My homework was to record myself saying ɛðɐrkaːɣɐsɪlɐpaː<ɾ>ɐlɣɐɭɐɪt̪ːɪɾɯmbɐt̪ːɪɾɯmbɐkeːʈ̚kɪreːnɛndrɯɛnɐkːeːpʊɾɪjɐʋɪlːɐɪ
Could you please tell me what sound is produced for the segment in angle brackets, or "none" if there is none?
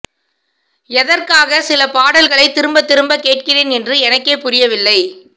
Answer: ɽ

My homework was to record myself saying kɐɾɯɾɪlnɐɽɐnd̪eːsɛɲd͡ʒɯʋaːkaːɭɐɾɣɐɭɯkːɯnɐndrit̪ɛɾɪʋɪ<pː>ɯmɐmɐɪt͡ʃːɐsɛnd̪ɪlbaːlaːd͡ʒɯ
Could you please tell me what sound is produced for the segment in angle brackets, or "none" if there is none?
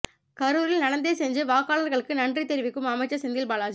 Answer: kː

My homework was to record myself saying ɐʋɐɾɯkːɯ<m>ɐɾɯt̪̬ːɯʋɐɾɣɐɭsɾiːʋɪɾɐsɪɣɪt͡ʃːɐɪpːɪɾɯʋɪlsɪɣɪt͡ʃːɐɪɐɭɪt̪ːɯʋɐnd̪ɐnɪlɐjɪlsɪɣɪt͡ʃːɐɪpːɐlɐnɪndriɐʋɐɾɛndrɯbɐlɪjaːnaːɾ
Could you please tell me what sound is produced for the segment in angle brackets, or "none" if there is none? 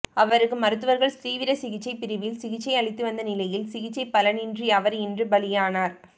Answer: m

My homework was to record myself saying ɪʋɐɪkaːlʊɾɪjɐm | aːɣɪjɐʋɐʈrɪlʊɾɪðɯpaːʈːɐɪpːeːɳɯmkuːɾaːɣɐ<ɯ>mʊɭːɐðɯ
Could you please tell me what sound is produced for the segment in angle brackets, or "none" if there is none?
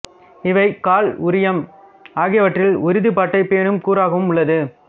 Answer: ɯ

